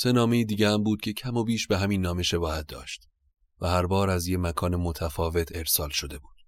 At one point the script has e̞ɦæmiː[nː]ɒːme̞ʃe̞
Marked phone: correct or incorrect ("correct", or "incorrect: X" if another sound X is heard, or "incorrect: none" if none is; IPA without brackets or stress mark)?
correct